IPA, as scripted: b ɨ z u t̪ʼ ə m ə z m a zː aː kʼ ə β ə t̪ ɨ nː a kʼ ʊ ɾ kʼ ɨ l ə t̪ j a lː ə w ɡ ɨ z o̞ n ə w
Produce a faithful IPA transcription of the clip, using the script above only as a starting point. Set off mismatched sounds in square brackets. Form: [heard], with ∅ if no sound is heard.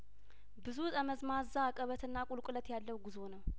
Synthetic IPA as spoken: b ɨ z u t̪ʼ ə m ə z m a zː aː kʼ ə β ə t̪ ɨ nː a kʼ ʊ [l] kʼ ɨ l ə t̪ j a lː ə w ɡ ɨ z o̞ n ə w

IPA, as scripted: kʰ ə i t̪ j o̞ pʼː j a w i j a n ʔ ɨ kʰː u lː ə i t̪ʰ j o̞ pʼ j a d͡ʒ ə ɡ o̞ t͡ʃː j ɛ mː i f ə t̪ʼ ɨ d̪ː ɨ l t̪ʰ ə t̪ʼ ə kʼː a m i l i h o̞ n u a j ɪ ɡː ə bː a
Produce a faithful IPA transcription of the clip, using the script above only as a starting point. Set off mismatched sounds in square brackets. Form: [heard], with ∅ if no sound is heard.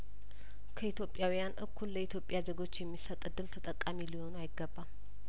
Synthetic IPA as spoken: kʰ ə i t̪ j o̞ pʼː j a w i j a n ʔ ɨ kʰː u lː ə i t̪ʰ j o̞ pʼ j a d͡ʒ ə ɡ o̞ t͡ʃː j ɛ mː i [s] ə t̪ʼ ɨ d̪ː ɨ l t̪ʰ ə t̪ʼ ə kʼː a m i l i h o̞ n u a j ɪ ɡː ə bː a

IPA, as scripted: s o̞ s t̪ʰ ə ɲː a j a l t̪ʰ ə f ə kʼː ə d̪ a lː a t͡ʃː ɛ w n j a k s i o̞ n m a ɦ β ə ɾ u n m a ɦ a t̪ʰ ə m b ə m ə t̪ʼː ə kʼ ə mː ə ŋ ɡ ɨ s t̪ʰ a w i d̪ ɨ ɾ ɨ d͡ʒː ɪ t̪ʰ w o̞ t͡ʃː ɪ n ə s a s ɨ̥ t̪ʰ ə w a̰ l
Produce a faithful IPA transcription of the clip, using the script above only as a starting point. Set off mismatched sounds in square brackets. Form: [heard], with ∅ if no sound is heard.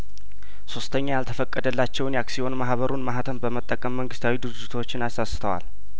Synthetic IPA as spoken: s o̞ s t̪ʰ ə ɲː a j a l t̪ʰ ə f ə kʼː ə d̪ [ə] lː a t͡ʃː ɛ w n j a k s i o̞ n m a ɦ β ə ɾ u n m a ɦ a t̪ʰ ə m b ə m ə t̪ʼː ə kʼ ə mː ə ŋ ɡ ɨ s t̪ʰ a w i d̪ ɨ ɾ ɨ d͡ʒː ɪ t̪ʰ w o̞ t͡ʃː ɪ n [a] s a s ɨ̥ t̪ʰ ə w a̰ l

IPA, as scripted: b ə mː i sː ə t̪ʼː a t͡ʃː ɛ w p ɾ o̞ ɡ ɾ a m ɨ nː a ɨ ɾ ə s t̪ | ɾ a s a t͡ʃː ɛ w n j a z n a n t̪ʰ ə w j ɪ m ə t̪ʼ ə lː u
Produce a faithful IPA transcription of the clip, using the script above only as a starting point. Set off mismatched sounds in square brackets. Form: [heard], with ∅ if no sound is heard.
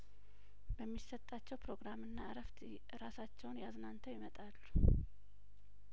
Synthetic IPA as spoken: b ə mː i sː ə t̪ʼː a t͡ʃː ɛ w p ɾ o̞ ɡ ɾ a m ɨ nː a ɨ ɾ ə [f] t̪ | ɾ a s a t͡ʃː ɛ w n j a z n a n t̪ʰ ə w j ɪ m ə t̪ʼ [a] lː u

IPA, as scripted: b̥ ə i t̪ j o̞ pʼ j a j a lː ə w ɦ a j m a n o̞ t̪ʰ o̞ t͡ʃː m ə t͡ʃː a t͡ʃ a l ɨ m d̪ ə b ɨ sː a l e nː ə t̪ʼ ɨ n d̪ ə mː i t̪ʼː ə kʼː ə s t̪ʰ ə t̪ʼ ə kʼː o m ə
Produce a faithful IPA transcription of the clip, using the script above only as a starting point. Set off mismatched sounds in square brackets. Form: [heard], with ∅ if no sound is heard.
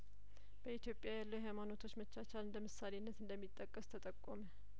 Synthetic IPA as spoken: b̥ ə i t̪ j o̞ pʼ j a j a lː ə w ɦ a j m a n o̞ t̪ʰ o̞ t͡ʃː m ə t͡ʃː a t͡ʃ a l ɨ [n] d̪ ə [m] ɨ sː a l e nː ə [t̪] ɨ n d̪ ə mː i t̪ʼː ə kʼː ə s t̪ʰ ə t̪ʼ ə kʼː o m ə

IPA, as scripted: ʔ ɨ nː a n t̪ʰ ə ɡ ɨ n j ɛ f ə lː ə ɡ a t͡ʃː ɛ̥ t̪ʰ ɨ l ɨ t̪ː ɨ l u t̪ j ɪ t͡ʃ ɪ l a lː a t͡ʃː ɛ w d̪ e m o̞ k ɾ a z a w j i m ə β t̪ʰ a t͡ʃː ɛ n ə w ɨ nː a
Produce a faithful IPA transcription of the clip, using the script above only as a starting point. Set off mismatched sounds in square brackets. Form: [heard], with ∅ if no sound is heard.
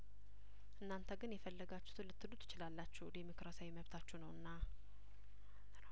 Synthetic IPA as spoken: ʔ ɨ nː a n t̪ʰ ə ɡ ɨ n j ɛ f ə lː ə ɡ a t͡ʃː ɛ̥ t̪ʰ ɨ l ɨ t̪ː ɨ l u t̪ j ɪ t͡ʃ ɪ l a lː a t͡ʃː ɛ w d̪ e m o̞ k ɾ a [s] a w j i m ə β t̪ʰ a t͡ʃː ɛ n ə w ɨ nː a

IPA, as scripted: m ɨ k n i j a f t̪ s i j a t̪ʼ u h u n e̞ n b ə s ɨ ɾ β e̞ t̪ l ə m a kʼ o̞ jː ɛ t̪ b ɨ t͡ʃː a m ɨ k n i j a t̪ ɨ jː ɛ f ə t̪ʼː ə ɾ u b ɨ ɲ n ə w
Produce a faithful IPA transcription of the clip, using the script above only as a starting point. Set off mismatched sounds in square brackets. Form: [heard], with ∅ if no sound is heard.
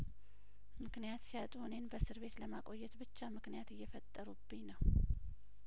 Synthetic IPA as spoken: m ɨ k n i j a [∅] t̪ s i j a t̪ʼ u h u n e̞ n b ə s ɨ ɾ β e̞ t̪ l ə m a kʼ o̞ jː ɛ t̪ b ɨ t͡ʃː a m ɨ k n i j a t̪ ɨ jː ɛ f ə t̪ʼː ə ɾ u b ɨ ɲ n ə w

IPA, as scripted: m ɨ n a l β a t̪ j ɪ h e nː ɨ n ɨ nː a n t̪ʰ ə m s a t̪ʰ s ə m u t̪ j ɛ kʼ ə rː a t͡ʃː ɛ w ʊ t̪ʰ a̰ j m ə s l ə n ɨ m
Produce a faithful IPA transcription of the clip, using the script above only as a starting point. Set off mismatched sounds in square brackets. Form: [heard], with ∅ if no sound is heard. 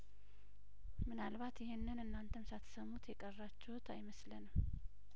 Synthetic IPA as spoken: m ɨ n a l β a t̪ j ɪ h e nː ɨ n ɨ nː a n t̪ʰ ə m s a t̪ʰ s ə m u t̪ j ɛ kʼ ə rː a t͡ʃː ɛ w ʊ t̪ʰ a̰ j m ə s l ə n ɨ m

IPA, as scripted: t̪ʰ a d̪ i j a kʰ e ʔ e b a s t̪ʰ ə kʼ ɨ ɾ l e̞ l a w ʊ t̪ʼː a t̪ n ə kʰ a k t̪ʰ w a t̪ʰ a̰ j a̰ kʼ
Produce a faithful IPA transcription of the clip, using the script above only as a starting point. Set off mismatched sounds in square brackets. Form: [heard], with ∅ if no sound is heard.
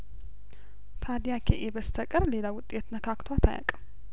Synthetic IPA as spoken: t̪ʰ a d̪ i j a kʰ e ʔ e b [ə] s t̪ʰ ə kʼ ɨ ɾ l e̞ l a w ʊ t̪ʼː [e] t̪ n ə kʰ a k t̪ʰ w a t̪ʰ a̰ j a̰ kʼ

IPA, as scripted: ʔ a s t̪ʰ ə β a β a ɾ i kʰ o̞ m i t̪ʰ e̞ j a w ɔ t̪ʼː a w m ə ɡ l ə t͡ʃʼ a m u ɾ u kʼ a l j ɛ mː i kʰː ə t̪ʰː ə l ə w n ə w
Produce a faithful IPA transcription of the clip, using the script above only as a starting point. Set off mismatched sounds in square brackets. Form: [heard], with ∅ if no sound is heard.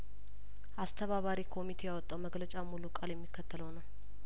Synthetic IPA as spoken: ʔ a s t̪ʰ ə β a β a ɾ i kʰ o̞ m i t̪ʰ e̞ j a w ɔ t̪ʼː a w m ə ɡ l ə t͡ʃʼ a m u [l] u kʼ a l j ɛ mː i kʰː ə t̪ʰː ə l ə w n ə w

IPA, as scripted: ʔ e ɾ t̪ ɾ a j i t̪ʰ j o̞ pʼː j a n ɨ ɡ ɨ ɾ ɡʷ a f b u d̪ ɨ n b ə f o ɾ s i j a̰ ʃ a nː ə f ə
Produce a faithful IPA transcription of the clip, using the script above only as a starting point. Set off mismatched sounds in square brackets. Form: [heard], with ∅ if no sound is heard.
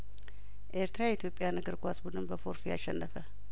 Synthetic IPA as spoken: ʔ e ɾ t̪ ɾ a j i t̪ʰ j o̞ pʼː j a n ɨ ɡ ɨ ɾ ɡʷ a [s] b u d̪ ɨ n b ə f o ɾ [f] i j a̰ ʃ [ɛ] nː ə f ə

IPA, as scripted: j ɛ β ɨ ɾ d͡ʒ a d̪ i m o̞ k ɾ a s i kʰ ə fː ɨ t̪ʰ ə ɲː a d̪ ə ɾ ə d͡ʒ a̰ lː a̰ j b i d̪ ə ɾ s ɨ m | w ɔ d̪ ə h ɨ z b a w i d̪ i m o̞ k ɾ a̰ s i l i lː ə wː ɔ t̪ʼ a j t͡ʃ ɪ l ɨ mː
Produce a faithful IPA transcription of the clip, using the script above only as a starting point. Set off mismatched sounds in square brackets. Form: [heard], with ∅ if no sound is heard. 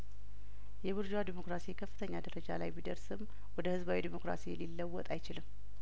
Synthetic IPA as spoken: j ɛ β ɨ ɾ d͡ʒ a d̪ i m o̞ k ɾ a s i kʰ ə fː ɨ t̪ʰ ə ɲː a d̪ ə ɾ ə d͡ʒ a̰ [l] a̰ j b i d̪ ə ɾ s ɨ m | w ɔ d̪ ə h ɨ z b a w i d̪ i m o̞ k ɾ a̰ s i l i lː ə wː ɔ t̪ʼ a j t͡ʃ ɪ l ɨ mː

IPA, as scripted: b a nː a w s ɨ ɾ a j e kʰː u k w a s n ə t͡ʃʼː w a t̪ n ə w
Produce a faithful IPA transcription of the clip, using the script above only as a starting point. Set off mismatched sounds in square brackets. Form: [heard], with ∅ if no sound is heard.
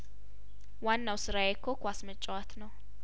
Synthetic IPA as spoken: [w] a nː a w s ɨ ɾ a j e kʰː [o] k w a s [m] ə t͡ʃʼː w a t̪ n ə w

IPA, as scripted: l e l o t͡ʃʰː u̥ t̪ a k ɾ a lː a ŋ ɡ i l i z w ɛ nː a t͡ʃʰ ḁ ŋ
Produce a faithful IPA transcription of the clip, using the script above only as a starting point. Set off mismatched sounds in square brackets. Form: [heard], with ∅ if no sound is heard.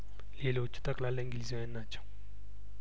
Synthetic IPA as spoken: l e l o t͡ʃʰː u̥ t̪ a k [l] a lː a ŋ ɡ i l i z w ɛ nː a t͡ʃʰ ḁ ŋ

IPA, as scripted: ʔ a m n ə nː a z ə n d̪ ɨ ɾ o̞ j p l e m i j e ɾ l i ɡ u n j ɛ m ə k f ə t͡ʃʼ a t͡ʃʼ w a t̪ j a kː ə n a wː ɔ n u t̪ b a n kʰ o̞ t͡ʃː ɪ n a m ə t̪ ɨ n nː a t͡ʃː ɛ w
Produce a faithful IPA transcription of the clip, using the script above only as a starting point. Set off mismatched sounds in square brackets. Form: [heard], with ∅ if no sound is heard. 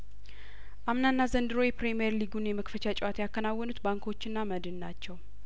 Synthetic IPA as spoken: ʔ a m n [a] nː a z ə n d̪ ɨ ɾ o̞ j p [ɾ] e m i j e ɾ l i ɡ u n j ɛ m ə k f ə [t͡ʃ] a t͡ʃʼ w a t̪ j a kː ə n a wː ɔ n u t̪ b a [ŋ] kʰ o̞ t͡ʃː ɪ [nː] a m ə [d̪] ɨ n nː a t͡ʃː ɛ w

